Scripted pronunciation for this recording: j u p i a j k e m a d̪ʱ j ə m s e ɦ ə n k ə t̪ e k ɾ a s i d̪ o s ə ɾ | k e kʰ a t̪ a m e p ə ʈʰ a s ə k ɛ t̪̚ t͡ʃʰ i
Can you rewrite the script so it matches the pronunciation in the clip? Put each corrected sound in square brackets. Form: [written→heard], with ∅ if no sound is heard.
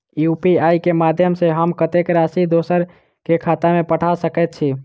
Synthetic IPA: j u p i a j k e m a d̪ʱ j ə m s e ɦ ə [n→m] k ə t̪ e k ɾ a s i d̪ o s ə ɾ | k e kʰ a t̪ a m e p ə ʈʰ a s ə k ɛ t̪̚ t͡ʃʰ i